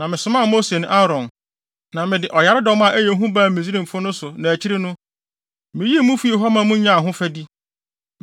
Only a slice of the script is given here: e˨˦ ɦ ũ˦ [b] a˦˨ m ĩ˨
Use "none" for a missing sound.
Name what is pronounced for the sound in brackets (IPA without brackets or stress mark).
b